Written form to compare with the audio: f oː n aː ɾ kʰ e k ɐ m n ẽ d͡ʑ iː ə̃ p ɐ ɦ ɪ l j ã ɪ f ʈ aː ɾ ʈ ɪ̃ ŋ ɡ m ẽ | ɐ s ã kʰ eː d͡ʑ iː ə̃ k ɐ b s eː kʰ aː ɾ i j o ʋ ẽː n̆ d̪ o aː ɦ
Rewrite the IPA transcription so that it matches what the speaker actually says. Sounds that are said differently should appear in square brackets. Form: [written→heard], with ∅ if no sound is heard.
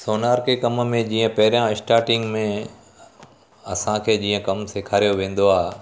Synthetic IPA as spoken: [f→s] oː n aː ɾ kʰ e k ɐ m [n→m] ẽ d͡ʑ iː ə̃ p ɐ ɦ ɪ [l→ɾ] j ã ɪ [f→s] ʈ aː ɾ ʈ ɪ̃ ŋ ɡ m ẽ | ɐ s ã kʰ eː d͡ʑ iː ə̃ k ɐ [b→m] s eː kʰ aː ɾ i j o ʋ ẽː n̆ d̪ o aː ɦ